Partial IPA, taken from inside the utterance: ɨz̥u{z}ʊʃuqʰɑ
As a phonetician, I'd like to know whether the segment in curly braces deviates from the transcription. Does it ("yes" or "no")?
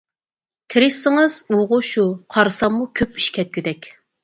yes